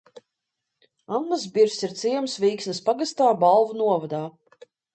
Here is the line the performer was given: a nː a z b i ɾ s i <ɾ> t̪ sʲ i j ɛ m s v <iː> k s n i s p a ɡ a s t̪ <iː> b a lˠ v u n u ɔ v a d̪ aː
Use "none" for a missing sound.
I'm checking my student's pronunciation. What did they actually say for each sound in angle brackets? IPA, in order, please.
ɾ, iː, aː

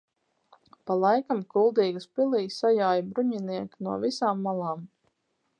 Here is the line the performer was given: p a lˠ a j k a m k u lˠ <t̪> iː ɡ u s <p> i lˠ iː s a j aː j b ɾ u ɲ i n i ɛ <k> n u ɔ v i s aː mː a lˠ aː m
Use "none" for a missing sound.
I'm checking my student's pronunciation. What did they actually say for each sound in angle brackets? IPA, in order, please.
d̪, p, k

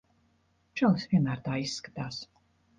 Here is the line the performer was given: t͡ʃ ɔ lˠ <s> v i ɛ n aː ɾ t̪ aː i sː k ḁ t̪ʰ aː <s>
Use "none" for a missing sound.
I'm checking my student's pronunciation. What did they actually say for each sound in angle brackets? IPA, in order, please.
s, s

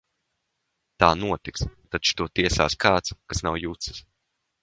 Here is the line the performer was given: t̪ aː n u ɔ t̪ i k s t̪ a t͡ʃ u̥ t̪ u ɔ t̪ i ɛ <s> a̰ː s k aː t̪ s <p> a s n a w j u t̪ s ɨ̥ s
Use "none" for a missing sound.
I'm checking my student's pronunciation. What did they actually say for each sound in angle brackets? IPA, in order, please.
s, k

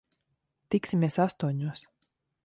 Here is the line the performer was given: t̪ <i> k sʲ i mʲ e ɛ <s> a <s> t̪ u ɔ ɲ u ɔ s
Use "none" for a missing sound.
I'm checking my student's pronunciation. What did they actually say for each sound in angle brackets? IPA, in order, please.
i, s, s

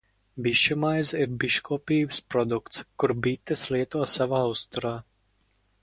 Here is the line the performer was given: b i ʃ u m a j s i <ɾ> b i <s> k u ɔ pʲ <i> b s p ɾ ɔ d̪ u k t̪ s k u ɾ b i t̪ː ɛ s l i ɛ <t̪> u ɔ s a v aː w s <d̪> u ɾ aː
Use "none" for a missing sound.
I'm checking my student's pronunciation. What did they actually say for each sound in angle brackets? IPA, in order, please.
ɾ, ʃ, iː, t̪, t̪

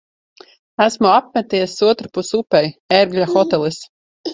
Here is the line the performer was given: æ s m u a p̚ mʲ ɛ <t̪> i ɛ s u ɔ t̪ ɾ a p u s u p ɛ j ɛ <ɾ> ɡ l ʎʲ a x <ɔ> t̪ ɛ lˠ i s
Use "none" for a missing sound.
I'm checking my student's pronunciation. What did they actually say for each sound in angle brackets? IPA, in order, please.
t̪, ɾ, ɔ

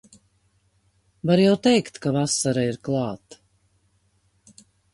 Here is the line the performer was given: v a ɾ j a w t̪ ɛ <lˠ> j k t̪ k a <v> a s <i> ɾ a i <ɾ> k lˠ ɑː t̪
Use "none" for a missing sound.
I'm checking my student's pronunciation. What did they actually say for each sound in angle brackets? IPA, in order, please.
none, v, a, ɾ

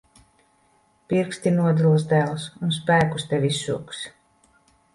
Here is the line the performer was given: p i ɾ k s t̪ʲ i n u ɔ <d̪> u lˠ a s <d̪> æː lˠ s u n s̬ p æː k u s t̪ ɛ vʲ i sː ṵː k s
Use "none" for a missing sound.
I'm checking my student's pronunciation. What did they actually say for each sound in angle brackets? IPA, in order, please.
d̪, d̪

